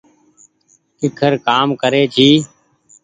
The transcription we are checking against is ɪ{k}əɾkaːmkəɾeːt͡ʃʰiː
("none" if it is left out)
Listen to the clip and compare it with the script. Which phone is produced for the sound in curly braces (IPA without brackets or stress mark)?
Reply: kʰ